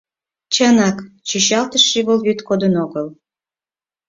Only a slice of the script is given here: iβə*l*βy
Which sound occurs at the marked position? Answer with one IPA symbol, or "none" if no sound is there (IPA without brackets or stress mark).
l